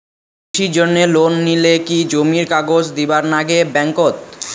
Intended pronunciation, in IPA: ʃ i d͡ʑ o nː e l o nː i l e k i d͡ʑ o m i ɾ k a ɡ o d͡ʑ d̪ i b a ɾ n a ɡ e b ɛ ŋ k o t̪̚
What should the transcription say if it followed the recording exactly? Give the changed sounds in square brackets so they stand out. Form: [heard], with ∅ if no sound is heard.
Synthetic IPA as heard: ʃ i d͡ʑ o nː e l o nː i l e k i d͡ʑ o m i ɾ k a ɡ o d͡ʑ d̪ i b a ɾ n a ɡ e b ɛ ŋ k o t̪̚